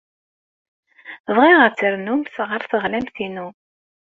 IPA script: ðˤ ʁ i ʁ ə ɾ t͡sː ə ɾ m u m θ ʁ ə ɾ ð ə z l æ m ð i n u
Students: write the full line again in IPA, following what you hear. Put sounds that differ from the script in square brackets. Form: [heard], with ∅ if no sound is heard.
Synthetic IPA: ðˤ ʁ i ʁ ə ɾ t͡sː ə ɾ [n] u m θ ʁ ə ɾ [θ] ə [ʁ] l æ m [θ] i n u